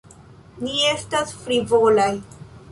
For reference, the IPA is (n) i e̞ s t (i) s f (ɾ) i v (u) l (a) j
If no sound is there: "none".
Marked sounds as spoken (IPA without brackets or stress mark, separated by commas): n, a, ɾ, o, a